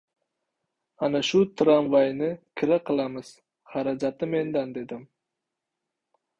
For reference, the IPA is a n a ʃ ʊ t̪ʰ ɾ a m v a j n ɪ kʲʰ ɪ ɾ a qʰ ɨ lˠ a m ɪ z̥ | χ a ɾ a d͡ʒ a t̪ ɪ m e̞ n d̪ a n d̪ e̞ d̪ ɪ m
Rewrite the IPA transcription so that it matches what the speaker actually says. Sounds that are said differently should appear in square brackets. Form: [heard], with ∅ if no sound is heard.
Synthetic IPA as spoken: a n a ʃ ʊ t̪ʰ ɾ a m v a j n ɪ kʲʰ ɪ ɾ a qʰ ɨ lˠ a m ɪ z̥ | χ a ɾ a d͡ʒ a t̪ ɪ m e̞ n d̪ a n d̪ e̞ d̪ ɪ m